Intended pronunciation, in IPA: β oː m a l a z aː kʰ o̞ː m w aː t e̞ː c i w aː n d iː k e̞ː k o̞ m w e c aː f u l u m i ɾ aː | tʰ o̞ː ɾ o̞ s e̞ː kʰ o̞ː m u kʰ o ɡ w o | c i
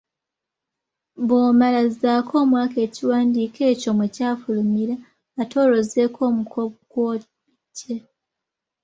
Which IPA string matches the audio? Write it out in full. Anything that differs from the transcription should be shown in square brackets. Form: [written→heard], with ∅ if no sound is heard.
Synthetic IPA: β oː m a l a z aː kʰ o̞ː m w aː [t→k] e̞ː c i w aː n d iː k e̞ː [k→c] o̞ m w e c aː f u l u m i ɾ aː | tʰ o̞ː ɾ o̞ [s→z] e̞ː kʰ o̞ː m u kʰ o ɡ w o | c [i→e]